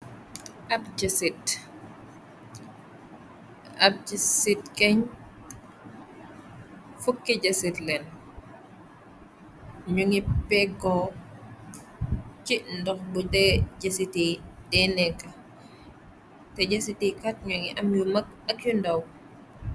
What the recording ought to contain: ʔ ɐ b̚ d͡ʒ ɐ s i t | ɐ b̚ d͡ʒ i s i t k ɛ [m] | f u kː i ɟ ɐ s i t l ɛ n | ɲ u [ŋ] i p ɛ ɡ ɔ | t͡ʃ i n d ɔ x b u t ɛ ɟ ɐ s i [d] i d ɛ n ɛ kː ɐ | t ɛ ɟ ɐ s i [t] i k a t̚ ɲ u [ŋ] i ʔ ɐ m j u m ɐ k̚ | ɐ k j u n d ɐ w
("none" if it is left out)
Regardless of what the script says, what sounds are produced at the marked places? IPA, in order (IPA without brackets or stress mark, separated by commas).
ɲ, ŋ, t, t, ŋ